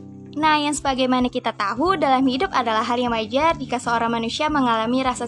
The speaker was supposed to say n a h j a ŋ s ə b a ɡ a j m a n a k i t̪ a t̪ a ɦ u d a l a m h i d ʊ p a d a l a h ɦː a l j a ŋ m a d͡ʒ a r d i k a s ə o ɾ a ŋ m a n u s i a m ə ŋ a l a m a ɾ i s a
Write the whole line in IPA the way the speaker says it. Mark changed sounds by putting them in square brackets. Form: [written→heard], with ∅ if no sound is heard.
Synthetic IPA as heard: n a h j a ŋ s ə b a ɡ a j m a n a k i t̪ a t̪ a ɦ u d a l a m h i d ʊ p a d a l a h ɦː a l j a ŋ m a d͡ʒ a r d i k a s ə o ɾ a ŋ m a n u s i a m ə ŋ a l a m [a→i] ɾ [i→a] s a